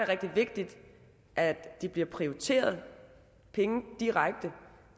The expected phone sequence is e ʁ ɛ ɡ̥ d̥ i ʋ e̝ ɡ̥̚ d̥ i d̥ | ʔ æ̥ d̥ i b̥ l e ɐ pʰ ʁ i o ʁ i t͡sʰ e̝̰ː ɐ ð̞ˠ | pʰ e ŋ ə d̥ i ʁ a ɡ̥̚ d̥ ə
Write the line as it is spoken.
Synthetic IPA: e ʁ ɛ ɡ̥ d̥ i ʋ e̝ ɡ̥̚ d̥ i d̥ | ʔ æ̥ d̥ i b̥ l i ɐ pʰ ʁ i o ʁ i t͡sʰ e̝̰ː ɐ ð̞ˠ | pʰ e ŋ ə d̥ i ʁ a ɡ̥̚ d̥ ə